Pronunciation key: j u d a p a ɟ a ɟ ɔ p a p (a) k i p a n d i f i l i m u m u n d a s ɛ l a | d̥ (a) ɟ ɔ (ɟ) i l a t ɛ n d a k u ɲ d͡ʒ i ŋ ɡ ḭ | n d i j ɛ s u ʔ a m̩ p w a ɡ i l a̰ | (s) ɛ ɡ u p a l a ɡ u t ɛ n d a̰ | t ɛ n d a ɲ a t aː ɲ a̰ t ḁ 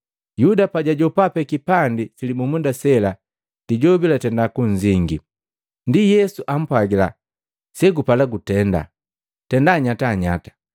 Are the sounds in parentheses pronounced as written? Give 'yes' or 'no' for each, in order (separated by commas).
no, no, no, yes